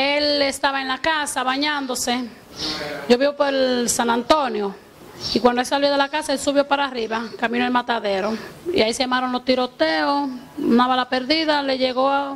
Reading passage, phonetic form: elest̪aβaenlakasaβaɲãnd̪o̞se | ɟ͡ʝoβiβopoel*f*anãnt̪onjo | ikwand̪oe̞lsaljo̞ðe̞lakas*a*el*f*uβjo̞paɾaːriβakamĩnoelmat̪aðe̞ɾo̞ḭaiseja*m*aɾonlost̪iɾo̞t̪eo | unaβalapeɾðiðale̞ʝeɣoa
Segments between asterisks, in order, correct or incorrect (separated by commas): incorrect, correct, incorrect, correct